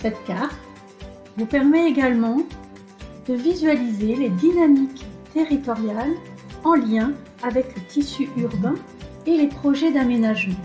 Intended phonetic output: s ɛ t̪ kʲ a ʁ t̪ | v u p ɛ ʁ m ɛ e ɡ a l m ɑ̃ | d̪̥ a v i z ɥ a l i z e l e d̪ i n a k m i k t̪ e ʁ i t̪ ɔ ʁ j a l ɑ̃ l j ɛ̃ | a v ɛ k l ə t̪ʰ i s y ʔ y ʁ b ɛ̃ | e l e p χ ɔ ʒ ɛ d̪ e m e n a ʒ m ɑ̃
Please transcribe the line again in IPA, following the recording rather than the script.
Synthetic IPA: s ɛ t̪ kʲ a ʁ t̪ | v u p ɛ ʁ m ɛ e ɡ a l m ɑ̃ | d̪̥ ə v i z ɥ a l i z e l e d̪ i n a m i k t̪ e ʁ i t̪ ɔ ʁ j a l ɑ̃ l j ɛ̃ | a v ɛ k l ə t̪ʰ i s y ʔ y ʁ b ɛ̃ | e l e p χ ɔ ʒ ɛ d̪ a m e n a ʒ m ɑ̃